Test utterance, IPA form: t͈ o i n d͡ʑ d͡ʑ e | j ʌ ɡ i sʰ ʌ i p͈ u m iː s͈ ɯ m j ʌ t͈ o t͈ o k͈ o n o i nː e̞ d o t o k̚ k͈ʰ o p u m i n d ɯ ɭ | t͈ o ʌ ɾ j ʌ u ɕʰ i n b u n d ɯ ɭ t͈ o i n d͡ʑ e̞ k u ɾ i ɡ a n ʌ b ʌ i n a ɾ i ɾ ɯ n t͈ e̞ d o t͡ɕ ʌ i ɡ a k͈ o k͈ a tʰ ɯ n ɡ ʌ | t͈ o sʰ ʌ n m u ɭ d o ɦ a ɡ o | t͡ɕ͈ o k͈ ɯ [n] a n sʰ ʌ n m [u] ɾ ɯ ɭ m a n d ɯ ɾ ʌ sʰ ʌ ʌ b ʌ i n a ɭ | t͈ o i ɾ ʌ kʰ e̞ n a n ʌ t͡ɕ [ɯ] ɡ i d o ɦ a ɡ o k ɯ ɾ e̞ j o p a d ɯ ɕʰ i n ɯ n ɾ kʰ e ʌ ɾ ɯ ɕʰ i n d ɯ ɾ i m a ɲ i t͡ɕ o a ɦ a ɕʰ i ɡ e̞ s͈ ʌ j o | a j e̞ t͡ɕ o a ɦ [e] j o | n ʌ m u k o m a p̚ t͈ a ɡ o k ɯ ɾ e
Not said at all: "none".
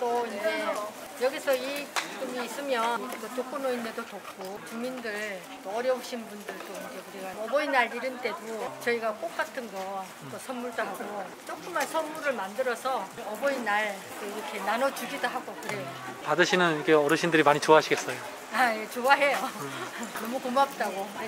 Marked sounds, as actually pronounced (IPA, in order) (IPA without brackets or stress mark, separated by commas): m, u, u, e